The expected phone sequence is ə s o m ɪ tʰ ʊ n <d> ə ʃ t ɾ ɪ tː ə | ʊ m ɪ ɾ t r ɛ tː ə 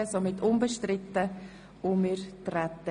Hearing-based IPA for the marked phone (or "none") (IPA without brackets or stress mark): b